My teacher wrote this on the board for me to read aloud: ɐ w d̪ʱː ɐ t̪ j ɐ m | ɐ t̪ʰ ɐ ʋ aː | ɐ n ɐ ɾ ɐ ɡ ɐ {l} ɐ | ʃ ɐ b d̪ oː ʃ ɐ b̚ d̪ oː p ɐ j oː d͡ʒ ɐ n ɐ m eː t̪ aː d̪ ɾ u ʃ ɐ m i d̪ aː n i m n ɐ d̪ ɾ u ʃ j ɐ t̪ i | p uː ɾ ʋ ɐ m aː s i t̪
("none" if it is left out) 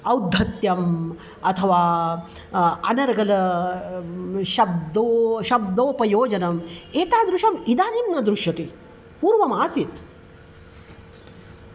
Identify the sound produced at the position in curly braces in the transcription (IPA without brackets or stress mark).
l